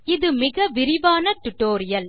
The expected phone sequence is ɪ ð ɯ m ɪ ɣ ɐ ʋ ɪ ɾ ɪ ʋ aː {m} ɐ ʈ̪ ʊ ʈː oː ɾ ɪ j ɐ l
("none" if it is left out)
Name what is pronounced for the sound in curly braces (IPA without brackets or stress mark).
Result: n